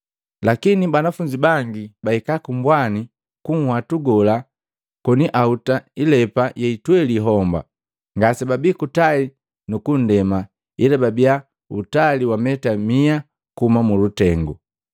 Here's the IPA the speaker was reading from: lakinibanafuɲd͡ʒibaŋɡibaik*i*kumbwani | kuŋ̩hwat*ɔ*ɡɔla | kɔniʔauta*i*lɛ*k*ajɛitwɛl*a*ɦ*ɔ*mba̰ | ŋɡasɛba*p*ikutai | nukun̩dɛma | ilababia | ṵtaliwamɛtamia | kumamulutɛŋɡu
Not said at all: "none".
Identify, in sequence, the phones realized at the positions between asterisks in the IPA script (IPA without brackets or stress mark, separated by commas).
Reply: a, u, i, p, i, ɔ, b